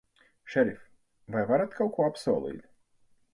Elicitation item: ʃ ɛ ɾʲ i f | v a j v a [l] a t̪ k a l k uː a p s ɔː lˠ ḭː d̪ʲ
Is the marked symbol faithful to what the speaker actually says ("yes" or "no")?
no